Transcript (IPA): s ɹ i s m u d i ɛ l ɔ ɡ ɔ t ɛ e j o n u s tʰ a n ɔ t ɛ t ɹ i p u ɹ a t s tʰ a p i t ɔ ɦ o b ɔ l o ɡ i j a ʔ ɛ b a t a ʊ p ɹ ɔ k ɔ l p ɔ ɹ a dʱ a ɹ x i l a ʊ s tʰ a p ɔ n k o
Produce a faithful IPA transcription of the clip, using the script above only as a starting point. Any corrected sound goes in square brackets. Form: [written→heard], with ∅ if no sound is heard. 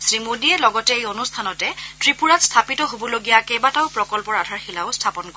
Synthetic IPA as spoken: s ɹ i [s→∅] m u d i ɛ l ɔ ɡ ɔ t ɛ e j o n u s tʰ a n ɔ t ɛ t ɹ i p u ɹ a t s tʰ a p i t ɔ ɦ o b ɔ l o ɡ i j a [ʔ→k] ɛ b a t a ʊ p ɹ ɔ k ɔ l p ɔ ɹ a dʱ a ɹ x i l a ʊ s tʰ a p ɔ n k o